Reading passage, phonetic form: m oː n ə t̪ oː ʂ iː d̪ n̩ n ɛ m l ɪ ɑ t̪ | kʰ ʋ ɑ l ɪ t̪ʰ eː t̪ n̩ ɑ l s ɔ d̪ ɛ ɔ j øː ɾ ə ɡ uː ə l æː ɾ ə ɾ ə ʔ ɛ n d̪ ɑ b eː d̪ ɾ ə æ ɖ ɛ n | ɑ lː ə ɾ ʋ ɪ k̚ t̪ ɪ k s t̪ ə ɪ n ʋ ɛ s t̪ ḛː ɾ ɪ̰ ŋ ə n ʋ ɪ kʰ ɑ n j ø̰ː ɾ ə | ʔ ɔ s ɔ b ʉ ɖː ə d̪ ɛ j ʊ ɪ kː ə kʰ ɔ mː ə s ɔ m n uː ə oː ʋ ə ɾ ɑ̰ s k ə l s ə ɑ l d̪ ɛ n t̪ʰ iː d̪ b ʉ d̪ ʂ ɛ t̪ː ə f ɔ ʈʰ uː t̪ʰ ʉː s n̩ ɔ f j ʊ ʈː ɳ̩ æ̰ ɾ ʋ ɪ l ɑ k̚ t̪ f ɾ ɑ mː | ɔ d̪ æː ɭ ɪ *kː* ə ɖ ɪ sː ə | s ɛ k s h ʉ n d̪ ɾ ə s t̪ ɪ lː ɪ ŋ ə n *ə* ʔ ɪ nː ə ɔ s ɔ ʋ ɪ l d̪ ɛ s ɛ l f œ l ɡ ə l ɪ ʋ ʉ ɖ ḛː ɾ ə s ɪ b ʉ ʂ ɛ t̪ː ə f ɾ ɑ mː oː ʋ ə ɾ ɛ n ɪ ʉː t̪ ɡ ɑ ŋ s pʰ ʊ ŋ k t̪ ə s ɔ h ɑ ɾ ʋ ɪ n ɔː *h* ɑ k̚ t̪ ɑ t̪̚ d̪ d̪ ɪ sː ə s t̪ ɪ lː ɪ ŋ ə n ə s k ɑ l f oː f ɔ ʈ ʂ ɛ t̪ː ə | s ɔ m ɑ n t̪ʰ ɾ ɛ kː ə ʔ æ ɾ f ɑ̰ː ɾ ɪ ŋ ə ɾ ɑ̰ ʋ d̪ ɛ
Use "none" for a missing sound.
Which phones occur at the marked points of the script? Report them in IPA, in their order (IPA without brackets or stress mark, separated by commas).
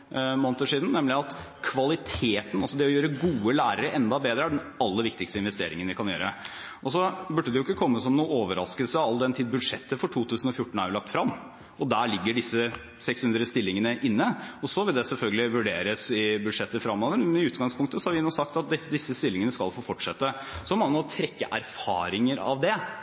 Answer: ɡː, ə, s